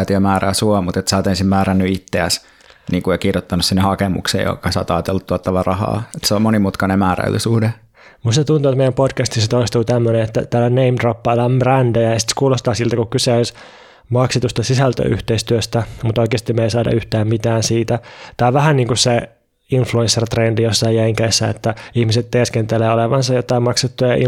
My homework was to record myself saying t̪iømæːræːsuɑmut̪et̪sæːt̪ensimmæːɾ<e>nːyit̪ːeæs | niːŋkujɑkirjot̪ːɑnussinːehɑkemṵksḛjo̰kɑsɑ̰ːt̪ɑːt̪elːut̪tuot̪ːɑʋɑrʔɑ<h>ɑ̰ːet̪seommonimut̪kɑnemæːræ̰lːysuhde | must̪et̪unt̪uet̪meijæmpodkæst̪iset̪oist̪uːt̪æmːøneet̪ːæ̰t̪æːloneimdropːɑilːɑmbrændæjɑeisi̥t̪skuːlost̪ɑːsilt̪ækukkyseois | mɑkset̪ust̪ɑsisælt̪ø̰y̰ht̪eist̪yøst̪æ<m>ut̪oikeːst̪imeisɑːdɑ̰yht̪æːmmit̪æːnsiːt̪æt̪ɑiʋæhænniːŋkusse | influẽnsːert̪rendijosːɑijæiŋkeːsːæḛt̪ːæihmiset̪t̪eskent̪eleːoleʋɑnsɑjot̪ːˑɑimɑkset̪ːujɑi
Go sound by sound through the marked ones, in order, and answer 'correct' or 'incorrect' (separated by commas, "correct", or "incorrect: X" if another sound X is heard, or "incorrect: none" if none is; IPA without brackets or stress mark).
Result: incorrect: æ, correct, correct